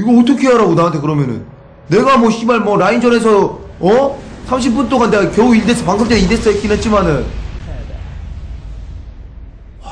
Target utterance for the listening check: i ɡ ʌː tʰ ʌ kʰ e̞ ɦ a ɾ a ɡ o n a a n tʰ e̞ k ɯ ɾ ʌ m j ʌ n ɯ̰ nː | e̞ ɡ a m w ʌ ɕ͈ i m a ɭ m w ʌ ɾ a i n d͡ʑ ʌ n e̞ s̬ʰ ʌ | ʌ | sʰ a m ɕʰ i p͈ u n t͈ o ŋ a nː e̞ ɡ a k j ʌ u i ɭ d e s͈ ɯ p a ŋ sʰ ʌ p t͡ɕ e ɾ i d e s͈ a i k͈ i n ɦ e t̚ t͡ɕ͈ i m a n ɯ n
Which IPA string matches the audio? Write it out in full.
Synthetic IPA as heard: i ɡ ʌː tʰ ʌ kʰ e̞ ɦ a ɾ a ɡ o n a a n tʰ e̞ k ɯ ɾ ʌ m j ʌ n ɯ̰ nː | e̞ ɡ a m w ʌ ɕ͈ i m a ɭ m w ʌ ɾ a i n d͡ʑ ʌ n e̞ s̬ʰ ʌ | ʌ | sʰ a m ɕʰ i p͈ u n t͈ o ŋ a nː e̞ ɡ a k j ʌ u i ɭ d e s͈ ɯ p a ŋ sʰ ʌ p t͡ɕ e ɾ i d e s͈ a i k͈ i n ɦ e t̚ t͡ɕ͈ i m a n ɯ n